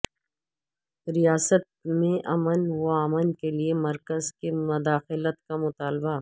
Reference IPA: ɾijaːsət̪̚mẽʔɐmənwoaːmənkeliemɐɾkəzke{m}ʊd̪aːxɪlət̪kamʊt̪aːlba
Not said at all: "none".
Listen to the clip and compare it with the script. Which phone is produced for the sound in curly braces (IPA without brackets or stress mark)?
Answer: m